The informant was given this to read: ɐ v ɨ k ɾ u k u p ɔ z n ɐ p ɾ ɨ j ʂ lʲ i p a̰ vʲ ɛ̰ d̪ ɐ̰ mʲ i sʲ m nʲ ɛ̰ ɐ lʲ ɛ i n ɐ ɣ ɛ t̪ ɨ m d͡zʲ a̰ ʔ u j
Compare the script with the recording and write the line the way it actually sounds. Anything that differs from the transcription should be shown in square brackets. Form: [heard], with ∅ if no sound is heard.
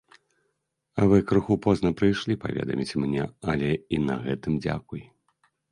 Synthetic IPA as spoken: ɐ v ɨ k ɾ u [x] u p ɔ z n ɐ p ɾ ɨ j ʂ lʲ i p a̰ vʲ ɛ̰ d̪ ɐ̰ mʲ i [t͡sʲ] m nʲ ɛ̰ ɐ lʲ ɛ i n ɐ ɣ ɛ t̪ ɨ m d͡zʲ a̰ [k] u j